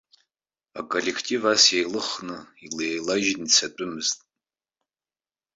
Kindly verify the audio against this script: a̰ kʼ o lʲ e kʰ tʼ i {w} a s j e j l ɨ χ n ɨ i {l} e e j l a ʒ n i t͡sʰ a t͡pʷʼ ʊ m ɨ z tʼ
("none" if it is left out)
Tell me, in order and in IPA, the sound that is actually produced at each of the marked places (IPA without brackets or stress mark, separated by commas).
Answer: v, l